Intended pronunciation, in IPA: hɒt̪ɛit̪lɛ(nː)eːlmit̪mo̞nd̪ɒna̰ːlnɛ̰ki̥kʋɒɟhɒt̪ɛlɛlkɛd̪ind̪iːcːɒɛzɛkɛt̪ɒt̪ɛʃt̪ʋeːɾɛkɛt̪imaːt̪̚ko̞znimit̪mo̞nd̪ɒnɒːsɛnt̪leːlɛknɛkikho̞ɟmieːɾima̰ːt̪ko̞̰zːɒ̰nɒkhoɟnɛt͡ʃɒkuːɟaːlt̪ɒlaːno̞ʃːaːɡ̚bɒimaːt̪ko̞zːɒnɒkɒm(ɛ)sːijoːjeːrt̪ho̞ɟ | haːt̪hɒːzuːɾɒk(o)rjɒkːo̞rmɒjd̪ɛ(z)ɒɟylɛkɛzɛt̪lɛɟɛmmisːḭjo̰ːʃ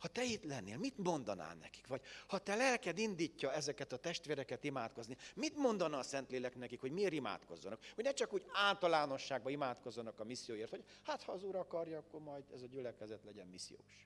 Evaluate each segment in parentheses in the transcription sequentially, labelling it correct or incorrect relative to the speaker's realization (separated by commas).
correct, incorrect, incorrect, correct